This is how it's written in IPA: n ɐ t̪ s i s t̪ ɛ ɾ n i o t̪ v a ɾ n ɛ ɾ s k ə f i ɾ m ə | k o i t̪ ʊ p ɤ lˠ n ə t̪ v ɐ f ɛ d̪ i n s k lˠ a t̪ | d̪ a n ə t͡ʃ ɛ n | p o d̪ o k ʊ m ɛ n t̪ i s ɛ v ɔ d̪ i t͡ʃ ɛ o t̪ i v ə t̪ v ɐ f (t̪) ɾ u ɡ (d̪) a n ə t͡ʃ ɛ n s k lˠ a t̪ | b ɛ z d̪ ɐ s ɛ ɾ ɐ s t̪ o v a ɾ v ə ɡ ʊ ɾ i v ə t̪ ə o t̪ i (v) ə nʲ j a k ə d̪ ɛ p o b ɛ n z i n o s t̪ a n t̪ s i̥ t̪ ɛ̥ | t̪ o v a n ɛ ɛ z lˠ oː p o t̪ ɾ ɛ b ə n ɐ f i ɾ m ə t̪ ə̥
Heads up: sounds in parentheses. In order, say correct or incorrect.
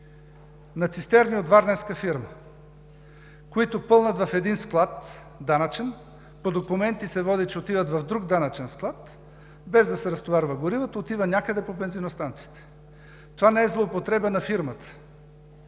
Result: incorrect: d̪, correct, correct

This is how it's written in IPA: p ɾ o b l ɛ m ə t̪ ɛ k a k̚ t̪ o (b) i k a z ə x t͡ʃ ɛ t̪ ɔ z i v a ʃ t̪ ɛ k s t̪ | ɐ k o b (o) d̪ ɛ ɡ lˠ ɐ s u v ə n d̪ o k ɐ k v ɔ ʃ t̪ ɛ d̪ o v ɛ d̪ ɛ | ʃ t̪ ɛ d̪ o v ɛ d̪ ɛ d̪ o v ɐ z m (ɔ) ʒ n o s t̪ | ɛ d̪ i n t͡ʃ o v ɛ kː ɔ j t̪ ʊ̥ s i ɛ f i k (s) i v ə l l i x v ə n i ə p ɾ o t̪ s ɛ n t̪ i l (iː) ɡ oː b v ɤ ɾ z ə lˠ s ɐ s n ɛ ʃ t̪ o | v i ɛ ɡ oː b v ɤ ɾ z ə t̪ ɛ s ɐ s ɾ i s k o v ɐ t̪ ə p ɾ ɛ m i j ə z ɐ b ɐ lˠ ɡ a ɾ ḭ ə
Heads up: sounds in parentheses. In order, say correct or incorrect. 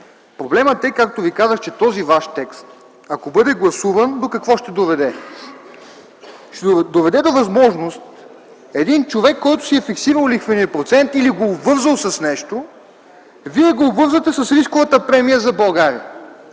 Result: incorrect: v, incorrect: ɤ, correct, correct, incorrect: i

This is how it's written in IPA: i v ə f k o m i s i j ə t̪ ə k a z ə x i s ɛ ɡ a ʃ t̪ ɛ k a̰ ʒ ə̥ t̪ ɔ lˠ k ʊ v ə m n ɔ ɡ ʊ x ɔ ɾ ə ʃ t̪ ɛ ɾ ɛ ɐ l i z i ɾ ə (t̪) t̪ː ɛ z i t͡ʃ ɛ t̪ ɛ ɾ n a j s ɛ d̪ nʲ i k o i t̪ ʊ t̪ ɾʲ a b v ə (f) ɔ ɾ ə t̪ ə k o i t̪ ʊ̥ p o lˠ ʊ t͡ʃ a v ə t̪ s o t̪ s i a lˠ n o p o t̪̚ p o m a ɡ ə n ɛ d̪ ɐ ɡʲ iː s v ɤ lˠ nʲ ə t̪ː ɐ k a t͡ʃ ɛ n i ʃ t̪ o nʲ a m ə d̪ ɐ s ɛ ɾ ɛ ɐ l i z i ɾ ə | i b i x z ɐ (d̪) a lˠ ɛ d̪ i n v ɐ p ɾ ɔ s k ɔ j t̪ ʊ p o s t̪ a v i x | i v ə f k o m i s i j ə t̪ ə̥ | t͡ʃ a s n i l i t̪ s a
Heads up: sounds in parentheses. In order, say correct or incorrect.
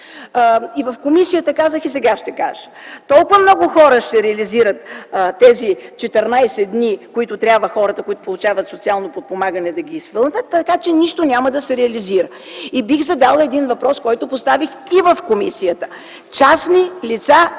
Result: correct, incorrect: x, correct

